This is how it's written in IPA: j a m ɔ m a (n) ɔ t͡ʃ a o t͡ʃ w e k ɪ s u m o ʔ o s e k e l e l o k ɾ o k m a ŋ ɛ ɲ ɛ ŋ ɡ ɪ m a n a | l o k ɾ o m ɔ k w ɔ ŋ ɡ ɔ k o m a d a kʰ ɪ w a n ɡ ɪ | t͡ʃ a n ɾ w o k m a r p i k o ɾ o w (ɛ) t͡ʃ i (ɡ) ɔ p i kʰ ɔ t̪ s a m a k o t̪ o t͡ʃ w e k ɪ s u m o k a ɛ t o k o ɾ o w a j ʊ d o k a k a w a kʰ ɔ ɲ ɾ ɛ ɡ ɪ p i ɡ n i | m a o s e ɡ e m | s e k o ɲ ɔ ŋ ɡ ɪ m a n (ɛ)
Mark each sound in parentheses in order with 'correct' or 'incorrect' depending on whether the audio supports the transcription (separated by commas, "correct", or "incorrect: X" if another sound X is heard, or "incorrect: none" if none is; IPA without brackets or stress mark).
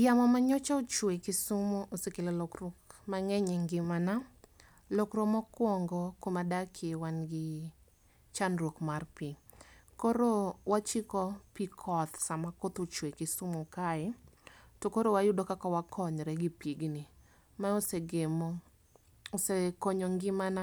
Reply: incorrect: ɲ, incorrect: a, incorrect: k, incorrect: a